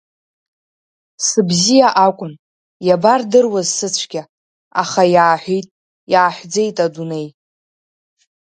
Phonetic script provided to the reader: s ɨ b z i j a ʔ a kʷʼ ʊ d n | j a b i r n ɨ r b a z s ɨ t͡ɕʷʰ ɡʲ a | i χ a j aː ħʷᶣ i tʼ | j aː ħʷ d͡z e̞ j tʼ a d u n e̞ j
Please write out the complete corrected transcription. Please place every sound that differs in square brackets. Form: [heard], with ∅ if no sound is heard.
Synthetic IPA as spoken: s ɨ b z i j a ʔ a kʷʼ ʊ [∅] n | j a b [a] r [d] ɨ r [w] a z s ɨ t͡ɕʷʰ ɡʲ a | [a] χ a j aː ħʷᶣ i tʼ | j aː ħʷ d͡z e̞ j tʼ a d u n e̞ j